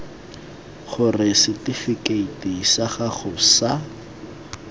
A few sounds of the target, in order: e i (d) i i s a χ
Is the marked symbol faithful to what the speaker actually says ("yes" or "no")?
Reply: no